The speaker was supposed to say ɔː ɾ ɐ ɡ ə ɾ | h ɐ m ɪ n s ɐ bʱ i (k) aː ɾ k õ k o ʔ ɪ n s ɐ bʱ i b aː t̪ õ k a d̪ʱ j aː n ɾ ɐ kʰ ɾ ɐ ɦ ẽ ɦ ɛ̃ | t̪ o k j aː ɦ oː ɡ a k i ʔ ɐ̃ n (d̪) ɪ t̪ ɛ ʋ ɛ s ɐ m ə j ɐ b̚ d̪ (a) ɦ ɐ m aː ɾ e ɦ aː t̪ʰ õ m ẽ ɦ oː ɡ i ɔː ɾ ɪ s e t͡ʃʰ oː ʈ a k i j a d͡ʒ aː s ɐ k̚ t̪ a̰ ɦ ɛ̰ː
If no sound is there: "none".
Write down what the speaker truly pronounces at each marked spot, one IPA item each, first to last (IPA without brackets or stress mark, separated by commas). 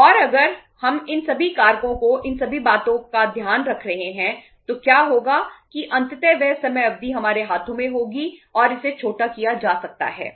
k, t̪, i